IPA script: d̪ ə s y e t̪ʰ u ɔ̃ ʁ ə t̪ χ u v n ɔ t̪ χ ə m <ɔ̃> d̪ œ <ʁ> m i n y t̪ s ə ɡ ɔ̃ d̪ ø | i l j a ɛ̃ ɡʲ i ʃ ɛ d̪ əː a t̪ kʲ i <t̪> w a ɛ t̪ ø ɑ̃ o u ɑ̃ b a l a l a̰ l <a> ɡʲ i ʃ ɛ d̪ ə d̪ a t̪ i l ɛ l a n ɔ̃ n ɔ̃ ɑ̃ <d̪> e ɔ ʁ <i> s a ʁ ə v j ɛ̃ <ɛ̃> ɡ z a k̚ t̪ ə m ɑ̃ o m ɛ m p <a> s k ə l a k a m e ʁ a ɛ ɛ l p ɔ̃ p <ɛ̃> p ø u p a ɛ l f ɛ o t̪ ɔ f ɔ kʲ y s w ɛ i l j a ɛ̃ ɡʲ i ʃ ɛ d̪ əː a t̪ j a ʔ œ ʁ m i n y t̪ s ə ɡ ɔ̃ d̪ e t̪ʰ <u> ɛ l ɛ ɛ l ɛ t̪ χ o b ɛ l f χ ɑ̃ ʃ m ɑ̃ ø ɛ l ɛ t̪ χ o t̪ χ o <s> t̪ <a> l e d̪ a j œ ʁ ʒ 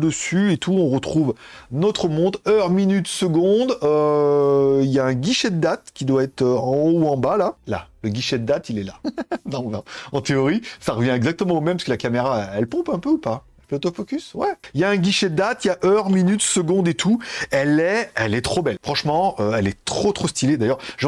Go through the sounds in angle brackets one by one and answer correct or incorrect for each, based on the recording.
correct, correct, incorrect: d̪, incorrect: ə, incorrect: t̪, correct, incorrect: ɛ, correct, correct, correct, correct, incorrect: i

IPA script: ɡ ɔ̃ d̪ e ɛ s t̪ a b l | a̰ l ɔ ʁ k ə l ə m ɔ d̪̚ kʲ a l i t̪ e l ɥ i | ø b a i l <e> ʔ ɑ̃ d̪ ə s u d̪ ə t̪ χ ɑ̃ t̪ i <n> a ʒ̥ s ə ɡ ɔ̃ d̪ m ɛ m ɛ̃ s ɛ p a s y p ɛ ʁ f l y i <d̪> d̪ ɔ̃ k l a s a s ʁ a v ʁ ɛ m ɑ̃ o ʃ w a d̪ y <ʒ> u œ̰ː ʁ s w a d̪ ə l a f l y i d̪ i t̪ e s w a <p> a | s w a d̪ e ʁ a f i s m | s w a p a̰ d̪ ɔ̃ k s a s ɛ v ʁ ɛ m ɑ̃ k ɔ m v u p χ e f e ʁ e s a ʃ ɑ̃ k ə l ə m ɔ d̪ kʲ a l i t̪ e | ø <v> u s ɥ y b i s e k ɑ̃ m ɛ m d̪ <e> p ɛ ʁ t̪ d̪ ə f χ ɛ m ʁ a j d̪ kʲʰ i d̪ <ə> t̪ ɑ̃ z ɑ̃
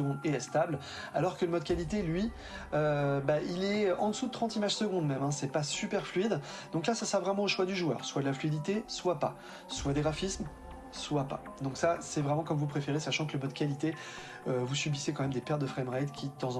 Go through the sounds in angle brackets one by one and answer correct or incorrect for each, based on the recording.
incorrect: ɛ, incorrect: m, correct, correct, correct, correct, correct, correct

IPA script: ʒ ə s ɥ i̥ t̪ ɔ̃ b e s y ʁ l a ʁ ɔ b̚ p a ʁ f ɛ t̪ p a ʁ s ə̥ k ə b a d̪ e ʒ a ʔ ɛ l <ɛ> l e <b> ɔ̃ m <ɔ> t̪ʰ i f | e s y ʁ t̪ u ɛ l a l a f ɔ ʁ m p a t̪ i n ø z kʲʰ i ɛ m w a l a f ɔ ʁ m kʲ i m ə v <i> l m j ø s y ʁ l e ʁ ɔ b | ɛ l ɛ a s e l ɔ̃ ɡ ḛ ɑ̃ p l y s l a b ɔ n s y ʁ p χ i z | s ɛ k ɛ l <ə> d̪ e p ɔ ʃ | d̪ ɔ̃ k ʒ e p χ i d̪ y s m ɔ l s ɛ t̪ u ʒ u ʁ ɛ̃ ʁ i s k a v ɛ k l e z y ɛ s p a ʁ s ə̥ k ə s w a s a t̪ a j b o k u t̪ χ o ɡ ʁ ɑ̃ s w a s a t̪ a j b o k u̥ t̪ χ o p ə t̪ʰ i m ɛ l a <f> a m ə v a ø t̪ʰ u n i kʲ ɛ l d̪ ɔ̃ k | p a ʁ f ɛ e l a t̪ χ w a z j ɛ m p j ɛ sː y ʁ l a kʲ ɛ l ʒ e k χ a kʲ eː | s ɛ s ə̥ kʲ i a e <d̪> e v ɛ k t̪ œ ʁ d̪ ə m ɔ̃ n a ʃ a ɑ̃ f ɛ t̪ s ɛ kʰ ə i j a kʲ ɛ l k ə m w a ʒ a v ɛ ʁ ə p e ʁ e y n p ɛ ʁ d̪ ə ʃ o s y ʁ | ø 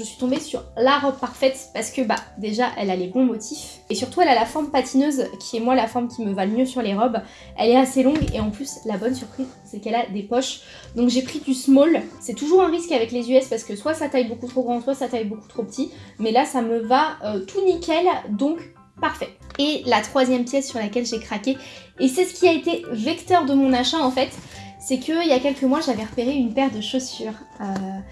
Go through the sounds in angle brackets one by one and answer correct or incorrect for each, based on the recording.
incorrect: a, correct, correct, incorrect: a, incorrect: a, incorrect: s, incorrect: t̪

